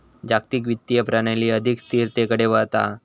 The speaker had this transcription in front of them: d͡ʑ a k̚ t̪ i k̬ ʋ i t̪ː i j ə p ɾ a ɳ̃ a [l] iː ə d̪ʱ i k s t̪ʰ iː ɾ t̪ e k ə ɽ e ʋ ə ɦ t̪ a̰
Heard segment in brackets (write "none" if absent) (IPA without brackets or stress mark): l